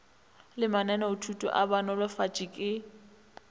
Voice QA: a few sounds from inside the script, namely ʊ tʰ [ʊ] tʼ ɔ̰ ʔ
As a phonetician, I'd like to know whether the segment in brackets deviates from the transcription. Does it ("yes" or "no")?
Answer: yes